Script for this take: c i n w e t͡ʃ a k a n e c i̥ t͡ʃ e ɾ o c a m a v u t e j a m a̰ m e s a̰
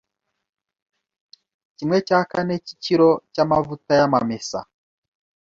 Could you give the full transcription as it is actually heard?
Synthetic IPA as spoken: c i m w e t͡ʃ a k a n e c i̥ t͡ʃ i ɾ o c a m a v u t a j a m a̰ m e s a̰